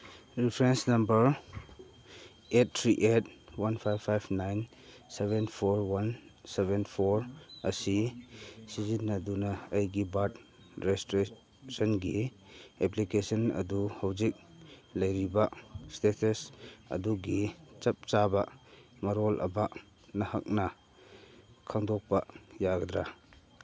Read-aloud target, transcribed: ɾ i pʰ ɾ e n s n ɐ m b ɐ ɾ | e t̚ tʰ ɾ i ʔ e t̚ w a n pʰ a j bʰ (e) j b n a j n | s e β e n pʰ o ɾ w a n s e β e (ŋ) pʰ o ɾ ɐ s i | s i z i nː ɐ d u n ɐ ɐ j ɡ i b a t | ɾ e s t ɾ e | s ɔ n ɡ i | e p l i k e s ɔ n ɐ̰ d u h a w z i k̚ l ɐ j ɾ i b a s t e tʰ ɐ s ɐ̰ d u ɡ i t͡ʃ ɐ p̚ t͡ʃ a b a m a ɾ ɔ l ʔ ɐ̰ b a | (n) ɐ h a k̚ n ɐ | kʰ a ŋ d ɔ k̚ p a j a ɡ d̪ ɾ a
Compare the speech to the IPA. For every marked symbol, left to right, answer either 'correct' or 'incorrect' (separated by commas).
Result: incorrect, incorrect, correct